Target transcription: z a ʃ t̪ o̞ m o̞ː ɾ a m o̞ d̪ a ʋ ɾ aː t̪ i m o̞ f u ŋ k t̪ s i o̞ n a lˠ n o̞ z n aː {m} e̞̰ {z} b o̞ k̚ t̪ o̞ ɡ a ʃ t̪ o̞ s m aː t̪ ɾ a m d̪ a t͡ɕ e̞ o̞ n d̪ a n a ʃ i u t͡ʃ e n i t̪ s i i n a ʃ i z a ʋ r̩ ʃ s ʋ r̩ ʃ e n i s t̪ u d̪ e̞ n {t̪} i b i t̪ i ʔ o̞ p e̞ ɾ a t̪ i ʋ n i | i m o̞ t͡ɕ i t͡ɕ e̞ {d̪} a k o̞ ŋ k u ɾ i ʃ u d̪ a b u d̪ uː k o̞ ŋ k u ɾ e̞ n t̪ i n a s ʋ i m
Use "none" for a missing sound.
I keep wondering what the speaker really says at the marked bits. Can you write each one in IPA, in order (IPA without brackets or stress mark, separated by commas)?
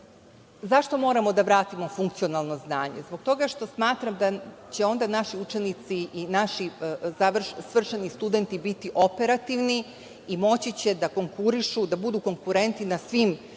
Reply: ɲ, z, t̪, d̪